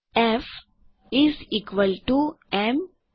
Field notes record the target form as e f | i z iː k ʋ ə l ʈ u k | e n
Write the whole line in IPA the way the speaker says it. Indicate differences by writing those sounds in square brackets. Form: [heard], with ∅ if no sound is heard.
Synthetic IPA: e f | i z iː k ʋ ə l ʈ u [∅] | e [m]

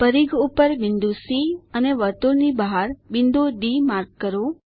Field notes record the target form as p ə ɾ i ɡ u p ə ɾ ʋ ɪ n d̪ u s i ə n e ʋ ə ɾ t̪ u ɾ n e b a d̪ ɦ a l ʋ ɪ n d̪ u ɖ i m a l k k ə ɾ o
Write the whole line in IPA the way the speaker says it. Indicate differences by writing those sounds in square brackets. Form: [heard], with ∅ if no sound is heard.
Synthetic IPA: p ə ɾ i ɡ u p ə ɾ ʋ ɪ n d̪ u s i ə n e ʋ ə ɾ t̪ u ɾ n [i] b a [∅] ɦ a [ɾ] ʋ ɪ n d̪ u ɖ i m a [ɾ] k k ə ɾ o

